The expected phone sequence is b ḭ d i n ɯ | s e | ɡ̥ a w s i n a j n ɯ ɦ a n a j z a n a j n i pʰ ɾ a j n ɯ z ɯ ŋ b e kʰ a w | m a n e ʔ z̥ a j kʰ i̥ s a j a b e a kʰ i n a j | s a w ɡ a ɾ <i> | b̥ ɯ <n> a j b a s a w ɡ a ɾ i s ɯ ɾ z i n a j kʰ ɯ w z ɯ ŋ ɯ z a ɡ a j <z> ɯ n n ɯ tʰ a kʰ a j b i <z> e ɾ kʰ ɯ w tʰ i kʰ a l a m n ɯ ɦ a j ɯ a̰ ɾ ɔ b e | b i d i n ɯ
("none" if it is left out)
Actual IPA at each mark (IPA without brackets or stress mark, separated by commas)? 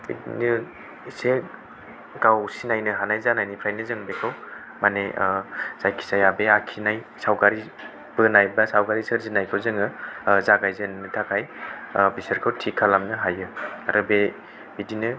i, n, z, s